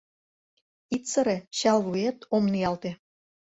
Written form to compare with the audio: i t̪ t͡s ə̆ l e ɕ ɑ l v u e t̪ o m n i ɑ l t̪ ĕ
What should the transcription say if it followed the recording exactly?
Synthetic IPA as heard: i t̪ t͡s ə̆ ɾ e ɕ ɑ l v u e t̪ o m n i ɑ l t̪ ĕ

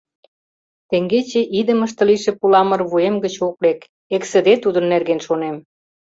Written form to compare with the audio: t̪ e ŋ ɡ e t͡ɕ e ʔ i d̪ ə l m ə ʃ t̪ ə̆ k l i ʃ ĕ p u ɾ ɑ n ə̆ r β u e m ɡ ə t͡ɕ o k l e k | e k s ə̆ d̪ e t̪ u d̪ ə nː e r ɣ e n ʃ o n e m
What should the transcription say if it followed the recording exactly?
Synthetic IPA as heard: t̪ e ŋ ɡ e t͡ɕ e ʔ i d̪ ə m ə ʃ t̪ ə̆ l i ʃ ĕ p u l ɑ m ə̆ r β u e m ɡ ə t͡ɕ o k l e k | e k s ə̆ d̪ e t̪ u d̪ ə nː e r ɣ e n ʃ o n e m

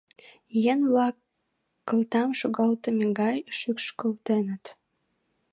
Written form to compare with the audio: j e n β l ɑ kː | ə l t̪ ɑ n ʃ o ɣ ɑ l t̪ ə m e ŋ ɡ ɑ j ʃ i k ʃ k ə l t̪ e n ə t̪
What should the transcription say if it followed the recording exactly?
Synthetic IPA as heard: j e n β l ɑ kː | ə l t̪ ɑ m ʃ o ɣ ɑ l t̪ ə m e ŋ ɡ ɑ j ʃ y k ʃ k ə l t̪ e n ə t̪

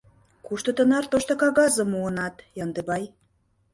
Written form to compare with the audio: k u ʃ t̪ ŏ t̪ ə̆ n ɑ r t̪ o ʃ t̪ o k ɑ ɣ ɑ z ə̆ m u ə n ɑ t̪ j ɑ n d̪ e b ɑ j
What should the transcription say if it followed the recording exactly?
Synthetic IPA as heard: k u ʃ t̪ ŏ t̪ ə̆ n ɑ r t̪ o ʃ t̪ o k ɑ ɣ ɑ z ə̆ m u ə n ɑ t̪ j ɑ n d̪ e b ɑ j

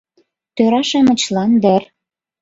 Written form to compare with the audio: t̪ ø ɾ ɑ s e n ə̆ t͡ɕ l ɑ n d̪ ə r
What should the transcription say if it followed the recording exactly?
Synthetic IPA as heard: t̪ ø ɾ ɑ ʃ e m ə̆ t͡ɕ l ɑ n d̪ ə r

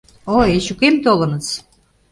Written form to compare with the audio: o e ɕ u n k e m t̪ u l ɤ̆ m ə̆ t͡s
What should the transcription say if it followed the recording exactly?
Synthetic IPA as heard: o e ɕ u k e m t̪ o l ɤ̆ n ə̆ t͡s

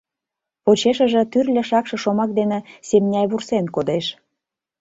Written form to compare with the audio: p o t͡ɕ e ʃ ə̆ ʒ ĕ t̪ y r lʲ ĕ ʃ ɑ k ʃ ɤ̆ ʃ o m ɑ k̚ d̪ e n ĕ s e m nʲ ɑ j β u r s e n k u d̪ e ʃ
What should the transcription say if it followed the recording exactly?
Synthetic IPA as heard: p o t͡ɕ e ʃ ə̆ ʒ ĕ t̪ y r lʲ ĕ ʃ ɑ k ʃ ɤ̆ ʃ o m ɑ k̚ d̪ e n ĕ s e m nʲ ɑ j β u r s e n k o d̪ e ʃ

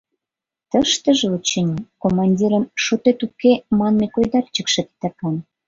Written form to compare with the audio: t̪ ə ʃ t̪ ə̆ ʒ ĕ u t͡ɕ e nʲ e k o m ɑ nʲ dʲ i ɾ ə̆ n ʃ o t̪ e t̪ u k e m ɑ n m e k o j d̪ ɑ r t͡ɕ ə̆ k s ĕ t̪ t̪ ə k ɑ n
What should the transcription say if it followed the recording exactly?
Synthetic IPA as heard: t̪ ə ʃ t̪ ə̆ ʒ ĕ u t͡ɕ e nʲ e k o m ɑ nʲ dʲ i ɾ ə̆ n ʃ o t̪ e t̪ u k e m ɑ n m e k o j d̪ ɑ r t͡ɕ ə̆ k ʃ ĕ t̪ t̪ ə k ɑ n

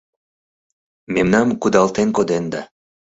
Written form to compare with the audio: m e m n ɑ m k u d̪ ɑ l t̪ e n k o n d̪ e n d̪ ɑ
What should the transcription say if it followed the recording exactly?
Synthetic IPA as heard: m e m n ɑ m k u d̪ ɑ l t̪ e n k o d̪ e n d̪ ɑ

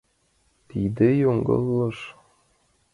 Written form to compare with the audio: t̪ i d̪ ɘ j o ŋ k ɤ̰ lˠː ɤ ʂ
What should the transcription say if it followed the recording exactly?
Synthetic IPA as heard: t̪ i d̪ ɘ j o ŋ ɡ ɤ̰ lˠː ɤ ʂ

